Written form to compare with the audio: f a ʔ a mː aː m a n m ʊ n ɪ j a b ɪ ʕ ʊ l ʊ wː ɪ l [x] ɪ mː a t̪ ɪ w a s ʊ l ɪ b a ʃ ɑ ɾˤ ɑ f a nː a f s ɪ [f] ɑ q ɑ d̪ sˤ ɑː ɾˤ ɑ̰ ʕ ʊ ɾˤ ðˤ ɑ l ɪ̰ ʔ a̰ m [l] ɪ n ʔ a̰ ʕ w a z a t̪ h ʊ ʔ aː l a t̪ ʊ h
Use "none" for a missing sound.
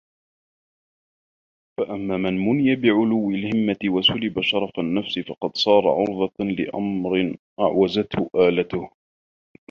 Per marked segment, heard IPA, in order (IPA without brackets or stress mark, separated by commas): h, f, ɾ